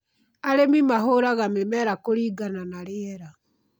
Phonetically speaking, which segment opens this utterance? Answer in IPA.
a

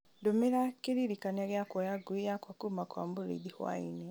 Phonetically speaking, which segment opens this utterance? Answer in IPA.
d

